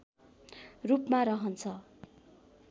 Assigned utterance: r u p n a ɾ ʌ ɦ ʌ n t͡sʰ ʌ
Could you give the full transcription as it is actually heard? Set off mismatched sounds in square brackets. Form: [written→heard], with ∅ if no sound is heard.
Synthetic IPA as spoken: r u p [n→m] a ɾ ʌ ɦ ʌ n t͡sʰ ʌ